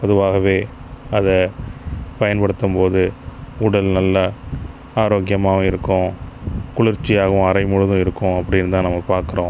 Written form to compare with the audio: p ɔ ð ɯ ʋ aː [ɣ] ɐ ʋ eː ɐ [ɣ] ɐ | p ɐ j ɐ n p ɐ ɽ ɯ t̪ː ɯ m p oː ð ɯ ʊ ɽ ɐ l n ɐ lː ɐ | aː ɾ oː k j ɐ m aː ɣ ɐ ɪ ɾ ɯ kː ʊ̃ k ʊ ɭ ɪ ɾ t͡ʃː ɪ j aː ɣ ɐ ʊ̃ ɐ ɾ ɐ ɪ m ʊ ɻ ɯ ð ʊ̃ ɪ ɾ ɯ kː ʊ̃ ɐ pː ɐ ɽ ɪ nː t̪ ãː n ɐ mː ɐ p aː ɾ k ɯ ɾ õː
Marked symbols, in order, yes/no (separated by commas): yes, no